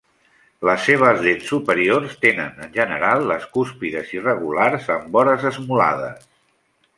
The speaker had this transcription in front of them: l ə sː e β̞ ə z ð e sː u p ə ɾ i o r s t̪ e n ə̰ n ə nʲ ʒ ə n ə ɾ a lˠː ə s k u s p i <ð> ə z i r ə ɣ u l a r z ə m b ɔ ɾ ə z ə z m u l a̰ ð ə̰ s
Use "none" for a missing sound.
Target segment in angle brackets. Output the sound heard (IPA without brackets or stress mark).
ð